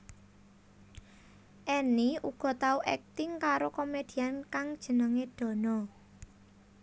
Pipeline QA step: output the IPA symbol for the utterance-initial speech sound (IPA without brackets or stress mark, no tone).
ʔ